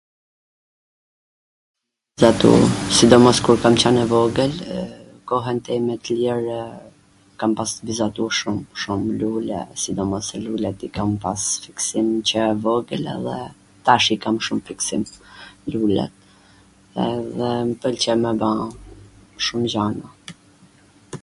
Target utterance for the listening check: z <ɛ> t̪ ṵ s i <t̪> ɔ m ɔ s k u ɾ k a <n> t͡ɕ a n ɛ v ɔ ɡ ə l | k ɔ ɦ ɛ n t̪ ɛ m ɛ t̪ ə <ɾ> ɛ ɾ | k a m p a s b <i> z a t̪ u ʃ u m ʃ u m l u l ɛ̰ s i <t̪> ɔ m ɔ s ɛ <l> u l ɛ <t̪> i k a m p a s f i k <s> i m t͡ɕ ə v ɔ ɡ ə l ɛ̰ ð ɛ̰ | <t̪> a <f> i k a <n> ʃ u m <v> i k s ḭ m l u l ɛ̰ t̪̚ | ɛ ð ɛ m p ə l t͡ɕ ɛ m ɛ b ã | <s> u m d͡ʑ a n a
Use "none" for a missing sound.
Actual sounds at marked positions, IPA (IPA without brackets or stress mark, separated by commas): a, d̪, m, l, i, d̪, l, t̪, s, t̪, ʃ, m, f, ʃ